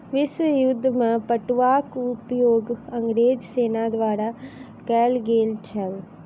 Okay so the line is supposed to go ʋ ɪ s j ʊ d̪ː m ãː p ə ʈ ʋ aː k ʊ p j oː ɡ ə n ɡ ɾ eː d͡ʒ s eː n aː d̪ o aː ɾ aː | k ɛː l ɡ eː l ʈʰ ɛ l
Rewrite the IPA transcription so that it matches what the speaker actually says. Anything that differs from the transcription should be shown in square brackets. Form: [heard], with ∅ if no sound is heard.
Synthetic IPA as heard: ʋ ɪ s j ʊ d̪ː m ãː p ə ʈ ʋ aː k ʊ p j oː ɡ ə [ŋ] ɡ ɾ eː d͡ʒ s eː n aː d̪ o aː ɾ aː | k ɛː l ɡ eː l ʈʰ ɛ l